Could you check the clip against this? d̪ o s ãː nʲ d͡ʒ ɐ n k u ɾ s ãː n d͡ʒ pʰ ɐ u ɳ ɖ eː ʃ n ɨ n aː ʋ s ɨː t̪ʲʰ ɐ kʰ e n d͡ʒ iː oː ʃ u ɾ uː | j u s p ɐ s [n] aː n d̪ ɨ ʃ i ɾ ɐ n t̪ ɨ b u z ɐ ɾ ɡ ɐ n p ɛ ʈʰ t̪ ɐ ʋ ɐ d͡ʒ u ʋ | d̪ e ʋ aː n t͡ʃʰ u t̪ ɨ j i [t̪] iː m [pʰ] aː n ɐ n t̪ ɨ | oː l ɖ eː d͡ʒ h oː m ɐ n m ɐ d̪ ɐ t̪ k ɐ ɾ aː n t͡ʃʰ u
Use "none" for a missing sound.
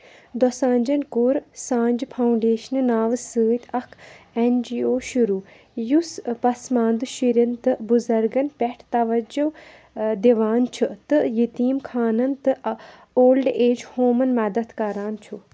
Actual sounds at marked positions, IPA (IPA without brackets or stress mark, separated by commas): m, t̪, kʰ